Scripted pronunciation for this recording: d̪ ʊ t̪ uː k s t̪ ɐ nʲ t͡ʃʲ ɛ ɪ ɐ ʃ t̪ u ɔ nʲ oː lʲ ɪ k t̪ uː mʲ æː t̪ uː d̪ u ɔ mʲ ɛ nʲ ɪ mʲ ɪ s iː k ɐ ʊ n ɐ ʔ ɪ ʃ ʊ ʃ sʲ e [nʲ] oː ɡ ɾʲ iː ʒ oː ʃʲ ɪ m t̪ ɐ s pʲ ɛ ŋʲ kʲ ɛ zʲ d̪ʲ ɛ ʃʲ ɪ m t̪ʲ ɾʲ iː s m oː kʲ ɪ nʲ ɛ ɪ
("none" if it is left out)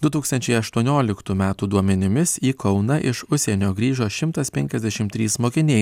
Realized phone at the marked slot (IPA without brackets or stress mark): nʲ